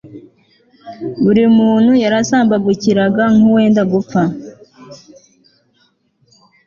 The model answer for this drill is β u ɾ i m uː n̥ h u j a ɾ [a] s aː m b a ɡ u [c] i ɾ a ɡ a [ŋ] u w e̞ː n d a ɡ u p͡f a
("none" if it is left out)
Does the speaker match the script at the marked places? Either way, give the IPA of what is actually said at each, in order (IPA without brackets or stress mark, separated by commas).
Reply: a, c, ŋ